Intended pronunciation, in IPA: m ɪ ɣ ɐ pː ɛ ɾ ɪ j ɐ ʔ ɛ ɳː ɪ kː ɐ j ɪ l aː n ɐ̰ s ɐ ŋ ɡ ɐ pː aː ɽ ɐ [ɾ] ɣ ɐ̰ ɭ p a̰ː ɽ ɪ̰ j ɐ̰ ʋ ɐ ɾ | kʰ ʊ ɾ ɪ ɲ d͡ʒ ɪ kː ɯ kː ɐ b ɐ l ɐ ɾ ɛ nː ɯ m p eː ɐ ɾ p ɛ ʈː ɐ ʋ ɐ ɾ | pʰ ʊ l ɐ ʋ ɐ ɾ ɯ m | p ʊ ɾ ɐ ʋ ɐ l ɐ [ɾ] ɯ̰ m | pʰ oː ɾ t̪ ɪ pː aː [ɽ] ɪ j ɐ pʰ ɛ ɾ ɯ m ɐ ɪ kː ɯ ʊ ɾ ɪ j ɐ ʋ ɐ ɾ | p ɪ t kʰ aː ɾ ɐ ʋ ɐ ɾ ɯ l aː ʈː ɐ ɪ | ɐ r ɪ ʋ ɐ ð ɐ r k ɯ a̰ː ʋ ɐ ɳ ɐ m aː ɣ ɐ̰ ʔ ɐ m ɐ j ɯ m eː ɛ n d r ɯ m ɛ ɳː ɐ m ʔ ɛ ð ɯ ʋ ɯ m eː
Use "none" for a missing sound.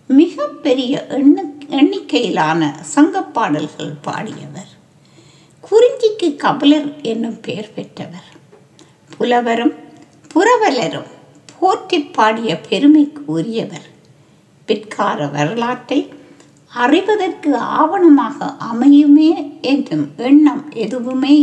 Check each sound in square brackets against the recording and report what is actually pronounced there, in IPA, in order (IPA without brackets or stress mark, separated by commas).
l, ɾ, ɽ